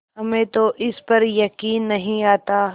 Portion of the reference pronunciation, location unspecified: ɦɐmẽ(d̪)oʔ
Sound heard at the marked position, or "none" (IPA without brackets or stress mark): t̪